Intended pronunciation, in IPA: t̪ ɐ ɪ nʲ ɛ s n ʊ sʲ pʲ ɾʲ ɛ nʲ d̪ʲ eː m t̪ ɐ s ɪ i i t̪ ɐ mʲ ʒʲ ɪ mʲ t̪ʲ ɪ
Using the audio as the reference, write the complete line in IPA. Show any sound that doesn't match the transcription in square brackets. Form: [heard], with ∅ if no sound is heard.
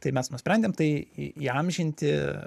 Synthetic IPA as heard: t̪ ɐ ɪ [mʲ] ɛ s n ʊ sʲ pʲ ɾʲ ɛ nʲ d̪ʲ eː m t̪ ɐ [∅] ɪ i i [∅] ɐ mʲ ʒʲ ɪ [nʲ] t̪ʲ ɪ